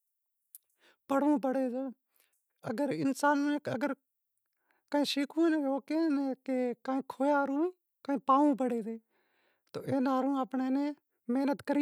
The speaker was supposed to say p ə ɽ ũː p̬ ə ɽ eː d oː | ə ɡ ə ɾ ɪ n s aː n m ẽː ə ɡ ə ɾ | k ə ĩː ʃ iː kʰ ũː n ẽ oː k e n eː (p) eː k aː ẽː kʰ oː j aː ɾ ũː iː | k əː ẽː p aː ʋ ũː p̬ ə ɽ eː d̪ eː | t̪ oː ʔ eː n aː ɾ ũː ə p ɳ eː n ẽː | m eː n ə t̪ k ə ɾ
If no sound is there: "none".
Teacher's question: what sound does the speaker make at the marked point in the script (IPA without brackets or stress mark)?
k